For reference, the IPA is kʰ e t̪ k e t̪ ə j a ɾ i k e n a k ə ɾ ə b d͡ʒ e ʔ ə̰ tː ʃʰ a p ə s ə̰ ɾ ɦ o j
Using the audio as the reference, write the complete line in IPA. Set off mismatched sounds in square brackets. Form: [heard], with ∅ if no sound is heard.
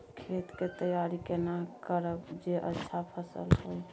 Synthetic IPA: kʰ e t̪ k e t̪ ə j a ɾ i k e n a k ə ɾ ə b d͡ʒ e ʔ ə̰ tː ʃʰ a [pʰ] ə s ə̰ [l] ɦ o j